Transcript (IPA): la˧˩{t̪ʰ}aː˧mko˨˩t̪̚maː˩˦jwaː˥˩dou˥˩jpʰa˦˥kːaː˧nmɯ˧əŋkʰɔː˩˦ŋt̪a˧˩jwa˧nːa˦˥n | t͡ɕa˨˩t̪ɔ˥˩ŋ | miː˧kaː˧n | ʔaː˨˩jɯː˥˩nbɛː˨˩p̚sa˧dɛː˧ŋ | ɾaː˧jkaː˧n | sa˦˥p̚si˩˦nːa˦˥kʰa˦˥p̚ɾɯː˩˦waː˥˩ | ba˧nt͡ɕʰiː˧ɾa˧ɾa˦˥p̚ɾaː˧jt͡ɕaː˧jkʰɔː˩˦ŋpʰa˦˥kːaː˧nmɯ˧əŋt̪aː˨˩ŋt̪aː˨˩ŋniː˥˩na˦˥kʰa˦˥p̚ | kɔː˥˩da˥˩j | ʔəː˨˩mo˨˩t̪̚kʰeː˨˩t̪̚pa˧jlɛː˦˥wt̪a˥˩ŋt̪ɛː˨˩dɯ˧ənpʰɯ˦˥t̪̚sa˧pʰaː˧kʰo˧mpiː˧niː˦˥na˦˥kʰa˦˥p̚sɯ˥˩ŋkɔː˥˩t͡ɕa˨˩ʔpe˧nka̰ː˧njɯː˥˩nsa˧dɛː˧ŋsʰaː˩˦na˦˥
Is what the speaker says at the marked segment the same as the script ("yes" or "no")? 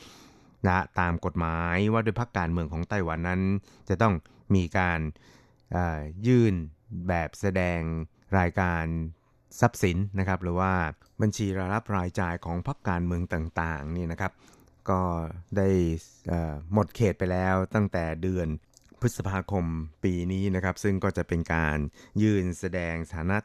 no